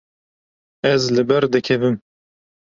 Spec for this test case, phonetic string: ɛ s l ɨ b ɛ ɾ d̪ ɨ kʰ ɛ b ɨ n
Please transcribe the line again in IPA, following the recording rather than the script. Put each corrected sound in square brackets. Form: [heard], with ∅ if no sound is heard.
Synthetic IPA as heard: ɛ [z] l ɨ b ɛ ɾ d̪ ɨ kʰ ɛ [v] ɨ [m]